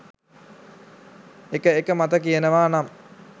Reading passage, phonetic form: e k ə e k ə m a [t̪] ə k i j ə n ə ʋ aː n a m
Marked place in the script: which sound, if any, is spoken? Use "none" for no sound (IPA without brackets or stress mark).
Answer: t̪